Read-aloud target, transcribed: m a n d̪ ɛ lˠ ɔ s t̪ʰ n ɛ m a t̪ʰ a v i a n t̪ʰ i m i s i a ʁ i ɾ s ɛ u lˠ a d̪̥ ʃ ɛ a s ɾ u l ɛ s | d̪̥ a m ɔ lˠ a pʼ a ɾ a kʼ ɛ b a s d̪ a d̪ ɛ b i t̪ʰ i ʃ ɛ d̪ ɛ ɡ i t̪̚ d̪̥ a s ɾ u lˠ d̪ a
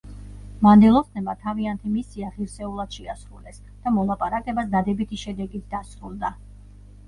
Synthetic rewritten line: m a n d̪ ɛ lˠ ɔ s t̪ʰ n ɛ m a t̪ʰ a v i a n t̪ʰ i m i s i a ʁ i ɾ s ɛ u lˠ a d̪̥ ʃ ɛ a s ɾ u l ɛ s | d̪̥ a m ɔ lˠ a pʼ a ɾ a kʼ ɛ b a s d̪ a d̪ ɛ b i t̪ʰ i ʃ ɛ d̪ ɛ ɡ i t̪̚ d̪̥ a s ɾ u lˠ d̪ a